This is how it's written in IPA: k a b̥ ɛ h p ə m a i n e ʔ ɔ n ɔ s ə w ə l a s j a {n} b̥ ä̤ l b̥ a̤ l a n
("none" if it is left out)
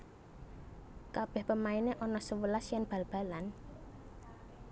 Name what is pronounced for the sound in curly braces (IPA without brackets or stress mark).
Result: n